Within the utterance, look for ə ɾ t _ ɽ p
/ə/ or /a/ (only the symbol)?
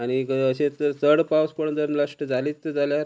ə